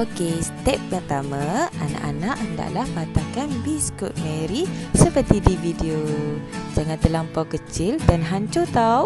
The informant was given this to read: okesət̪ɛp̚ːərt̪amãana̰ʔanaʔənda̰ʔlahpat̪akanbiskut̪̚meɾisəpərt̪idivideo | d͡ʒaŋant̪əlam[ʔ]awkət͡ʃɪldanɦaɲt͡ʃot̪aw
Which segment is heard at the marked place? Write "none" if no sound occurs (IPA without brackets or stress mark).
p